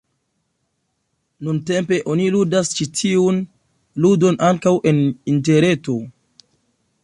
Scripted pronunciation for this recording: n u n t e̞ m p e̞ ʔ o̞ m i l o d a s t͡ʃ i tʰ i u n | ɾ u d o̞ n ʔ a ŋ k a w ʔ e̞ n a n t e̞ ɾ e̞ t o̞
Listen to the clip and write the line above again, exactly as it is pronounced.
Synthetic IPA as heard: n u n t e̞ m p e̞ ʔ o̞ n i l u d a s t͡ʃ i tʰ i u n | l u d o̞ n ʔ a ŋ k a w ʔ e̞ n i n t e̞ ɾ e̞ t o̞

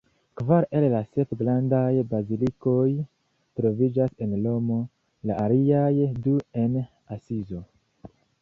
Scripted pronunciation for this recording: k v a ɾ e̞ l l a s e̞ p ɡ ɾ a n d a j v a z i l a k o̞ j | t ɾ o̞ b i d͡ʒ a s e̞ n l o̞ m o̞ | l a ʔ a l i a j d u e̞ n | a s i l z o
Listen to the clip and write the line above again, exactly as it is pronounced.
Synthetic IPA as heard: k v a ɾ e̞ l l a s e̞ p ɡ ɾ a n d a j b a z i l i k o̞ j | t ɾ o̞ v i d͡ʒ a s e̞ n l o̞ m o̞ | l a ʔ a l i a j d u e̞ n | a s i z o

